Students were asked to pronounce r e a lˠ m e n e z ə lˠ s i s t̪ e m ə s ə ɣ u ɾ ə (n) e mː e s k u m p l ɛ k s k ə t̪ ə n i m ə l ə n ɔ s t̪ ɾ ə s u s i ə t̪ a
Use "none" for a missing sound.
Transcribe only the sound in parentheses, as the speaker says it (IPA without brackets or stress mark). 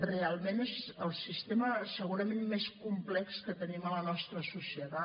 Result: m